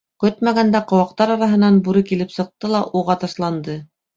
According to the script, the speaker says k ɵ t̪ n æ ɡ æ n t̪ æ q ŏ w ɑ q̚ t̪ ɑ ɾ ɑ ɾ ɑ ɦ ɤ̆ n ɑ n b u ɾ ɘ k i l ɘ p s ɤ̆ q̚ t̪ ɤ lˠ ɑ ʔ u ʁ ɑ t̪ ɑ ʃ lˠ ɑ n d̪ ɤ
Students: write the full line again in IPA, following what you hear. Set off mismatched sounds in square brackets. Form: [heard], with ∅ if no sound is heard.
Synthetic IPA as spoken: k ɵ t̪ [m] æ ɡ æ n [d̪] æ q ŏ w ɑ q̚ t̪ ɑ ɾ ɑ ɾ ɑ ɦ ɤ̆ n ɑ n b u ɾ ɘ k i l ɘ p s ɤ̆ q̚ t̪ ɤ lˠ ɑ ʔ u ʁ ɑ t̪ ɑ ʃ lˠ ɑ n d̪ ɤ